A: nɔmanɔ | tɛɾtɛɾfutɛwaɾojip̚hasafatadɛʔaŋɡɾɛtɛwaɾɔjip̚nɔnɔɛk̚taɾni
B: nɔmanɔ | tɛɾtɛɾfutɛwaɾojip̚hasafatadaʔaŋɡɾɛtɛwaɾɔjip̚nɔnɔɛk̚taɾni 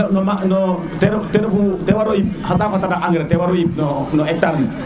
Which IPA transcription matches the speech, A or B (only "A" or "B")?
B